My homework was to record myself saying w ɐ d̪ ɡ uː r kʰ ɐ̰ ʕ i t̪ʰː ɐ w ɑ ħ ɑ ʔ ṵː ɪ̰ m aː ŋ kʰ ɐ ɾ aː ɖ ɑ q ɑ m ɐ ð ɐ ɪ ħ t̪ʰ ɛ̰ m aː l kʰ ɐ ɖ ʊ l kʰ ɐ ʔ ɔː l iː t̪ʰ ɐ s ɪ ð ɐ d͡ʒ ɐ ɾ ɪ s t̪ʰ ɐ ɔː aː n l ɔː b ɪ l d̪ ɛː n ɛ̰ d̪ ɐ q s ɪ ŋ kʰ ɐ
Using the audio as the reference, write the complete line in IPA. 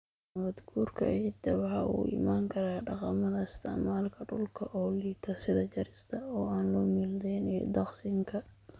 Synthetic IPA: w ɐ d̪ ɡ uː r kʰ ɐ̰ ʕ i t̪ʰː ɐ w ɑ ħ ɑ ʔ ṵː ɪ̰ m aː ŋ kʰ ɐ ɾ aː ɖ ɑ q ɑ m ɐ ð ɐ ɪ s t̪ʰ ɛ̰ m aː l kʰ ɐ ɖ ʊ l kʰ ɐ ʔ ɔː l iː t̪ʰ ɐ s ɪ ð ɐ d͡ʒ ɐ ɾ ɪ s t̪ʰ ɐ ɔː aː n l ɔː m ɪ l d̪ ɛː n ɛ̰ d̪ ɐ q s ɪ ŋ kʰ ɐ